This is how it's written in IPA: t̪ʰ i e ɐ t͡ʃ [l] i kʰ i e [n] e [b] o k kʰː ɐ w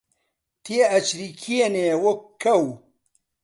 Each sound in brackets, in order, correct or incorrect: incorrect: ɾ, correct, incorrect: w

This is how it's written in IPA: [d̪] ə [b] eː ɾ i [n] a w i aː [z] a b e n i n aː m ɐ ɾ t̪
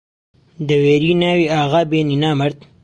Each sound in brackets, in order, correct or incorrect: correct, incorrect: w, correct, incorrect: ɣ

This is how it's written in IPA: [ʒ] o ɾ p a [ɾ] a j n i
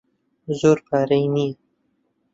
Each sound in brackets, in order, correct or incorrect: incorrect: z, correct

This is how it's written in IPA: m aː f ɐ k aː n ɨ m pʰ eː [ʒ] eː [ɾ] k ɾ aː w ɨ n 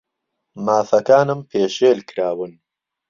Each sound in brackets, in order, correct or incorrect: incorrect: ʃ, incorrect: l

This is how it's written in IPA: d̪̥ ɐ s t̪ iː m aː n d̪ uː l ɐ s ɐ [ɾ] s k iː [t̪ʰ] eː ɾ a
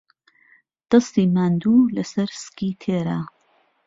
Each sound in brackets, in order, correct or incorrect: correct, correct

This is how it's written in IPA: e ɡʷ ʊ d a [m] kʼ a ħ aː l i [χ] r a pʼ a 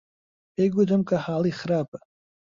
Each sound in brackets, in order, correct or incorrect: correct, correct

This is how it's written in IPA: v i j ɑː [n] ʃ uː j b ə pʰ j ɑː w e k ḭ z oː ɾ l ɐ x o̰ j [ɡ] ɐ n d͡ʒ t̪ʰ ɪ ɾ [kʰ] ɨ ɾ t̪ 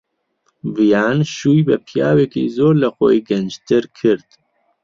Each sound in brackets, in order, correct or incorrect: correct, correct, correct

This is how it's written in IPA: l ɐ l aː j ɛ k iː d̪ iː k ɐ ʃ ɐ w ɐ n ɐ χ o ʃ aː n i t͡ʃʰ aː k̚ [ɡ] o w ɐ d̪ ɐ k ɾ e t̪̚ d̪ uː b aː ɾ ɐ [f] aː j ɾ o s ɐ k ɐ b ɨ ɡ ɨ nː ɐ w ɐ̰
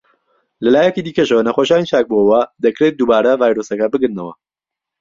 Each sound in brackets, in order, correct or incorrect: incorrect: b, incorrect: v

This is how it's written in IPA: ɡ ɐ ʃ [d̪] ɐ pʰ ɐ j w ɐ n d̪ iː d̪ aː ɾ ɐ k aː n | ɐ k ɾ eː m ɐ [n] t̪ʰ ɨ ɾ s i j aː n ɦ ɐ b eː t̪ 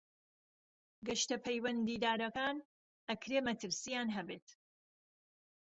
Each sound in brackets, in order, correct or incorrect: incorrect: t̪, incorrect: none

